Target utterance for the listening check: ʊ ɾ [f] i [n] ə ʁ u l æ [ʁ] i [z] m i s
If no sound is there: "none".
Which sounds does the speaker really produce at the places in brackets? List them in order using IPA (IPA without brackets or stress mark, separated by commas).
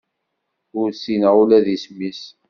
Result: s, n, ð, s